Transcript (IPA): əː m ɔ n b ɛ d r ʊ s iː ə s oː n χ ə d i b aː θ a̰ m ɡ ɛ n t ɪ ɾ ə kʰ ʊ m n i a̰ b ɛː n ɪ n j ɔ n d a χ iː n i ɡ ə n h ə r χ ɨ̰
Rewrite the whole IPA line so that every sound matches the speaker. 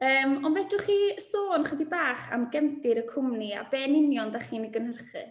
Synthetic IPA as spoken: əː m ɔ n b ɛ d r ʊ χ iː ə s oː n χ ə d i b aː χ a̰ m ɡ ɛ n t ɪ ɾ ə kʰ ʊ m n i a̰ b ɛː n ɪ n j ɔ n d a χ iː n i ɡ ə n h ə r χ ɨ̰